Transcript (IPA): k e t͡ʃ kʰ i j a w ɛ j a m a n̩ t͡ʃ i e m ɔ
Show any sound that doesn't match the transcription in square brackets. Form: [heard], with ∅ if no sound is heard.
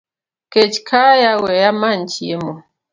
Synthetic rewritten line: k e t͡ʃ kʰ [a] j a w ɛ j a m a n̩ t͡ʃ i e m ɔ